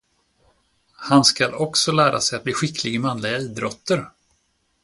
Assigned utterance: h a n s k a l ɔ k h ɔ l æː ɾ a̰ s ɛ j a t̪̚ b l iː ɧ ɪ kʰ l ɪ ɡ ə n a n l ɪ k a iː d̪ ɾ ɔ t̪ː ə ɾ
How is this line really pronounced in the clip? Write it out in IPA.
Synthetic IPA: h a n s k a l ɔ k s ɔ l æː ɾ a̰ s ɛ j a t̪̚ b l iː ɧ ɪ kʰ l ɪ ɡ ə m a n l ɪ ɡ a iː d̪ ɾ ɔ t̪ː ə ɾ